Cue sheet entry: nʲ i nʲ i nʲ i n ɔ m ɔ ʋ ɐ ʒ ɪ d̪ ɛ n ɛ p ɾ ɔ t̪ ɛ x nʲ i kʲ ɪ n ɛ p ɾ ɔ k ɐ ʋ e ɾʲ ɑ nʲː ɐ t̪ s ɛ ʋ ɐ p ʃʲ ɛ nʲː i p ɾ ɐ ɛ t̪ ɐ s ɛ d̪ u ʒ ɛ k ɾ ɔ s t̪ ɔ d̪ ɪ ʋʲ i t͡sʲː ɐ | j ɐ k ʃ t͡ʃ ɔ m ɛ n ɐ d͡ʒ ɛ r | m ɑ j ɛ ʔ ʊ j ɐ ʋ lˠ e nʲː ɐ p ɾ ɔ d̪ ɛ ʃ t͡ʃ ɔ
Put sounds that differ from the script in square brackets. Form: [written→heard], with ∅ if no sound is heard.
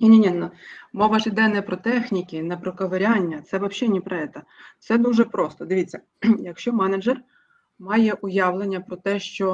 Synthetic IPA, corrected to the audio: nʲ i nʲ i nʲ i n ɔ m ɔ ʋ ɐ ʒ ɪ d̪ ɛ n ɛ p ɾ ɔ t̪ ɛ x nʲ i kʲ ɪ n ɛ p ɾ ɔ k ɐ ʋ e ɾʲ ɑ nʲː ɐ t̪ s ɛ ʋ ɐ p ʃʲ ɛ [nʲː→nʲ] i p ɾ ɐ ɛ t̪ ɐ s ɛ d̪ u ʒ ɛ [k→p] ɾ ɔ s t̪ ɔ d̪ ɪ ʋʲ i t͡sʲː ɐ | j ɐ k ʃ t͡ʃ ɔ m ɛ n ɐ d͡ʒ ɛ r | m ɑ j ɛ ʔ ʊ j [ɐ→ɑ] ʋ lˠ e nʲː ɐ p ɾ ɔ [d̪→t̪] ɛ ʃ t͡ʃ ɔ